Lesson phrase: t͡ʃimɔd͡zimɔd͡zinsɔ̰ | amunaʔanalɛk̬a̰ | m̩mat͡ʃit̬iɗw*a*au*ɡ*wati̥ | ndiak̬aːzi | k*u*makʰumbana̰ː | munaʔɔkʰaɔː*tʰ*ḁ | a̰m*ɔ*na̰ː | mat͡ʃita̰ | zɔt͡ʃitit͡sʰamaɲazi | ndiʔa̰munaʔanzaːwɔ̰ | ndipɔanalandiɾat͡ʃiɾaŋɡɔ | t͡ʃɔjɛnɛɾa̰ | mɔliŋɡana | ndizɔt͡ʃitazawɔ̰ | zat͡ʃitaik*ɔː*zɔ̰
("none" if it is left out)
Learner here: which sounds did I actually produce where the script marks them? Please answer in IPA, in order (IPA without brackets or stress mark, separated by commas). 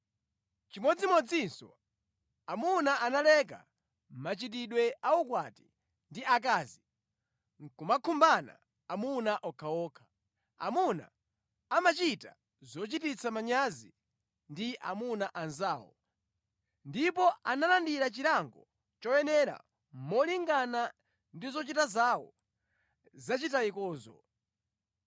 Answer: ɛ, k, u, kʰ, u, ɔː